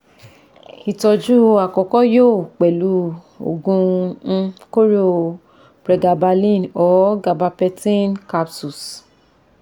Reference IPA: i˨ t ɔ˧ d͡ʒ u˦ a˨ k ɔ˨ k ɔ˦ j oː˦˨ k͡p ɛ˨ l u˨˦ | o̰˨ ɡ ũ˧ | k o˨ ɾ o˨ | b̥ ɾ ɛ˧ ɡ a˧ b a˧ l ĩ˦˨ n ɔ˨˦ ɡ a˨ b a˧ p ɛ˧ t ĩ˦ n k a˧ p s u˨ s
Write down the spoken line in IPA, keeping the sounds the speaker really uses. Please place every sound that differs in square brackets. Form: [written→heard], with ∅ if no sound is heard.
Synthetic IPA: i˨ t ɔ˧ d͡ʒ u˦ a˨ k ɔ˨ k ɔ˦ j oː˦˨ k͡p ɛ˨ l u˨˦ | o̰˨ ɡ ũ˧ | k [o˨→o˦] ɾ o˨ | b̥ ɾ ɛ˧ ɡ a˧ b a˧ l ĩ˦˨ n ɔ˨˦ ɡ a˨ b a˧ p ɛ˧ t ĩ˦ n k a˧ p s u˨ s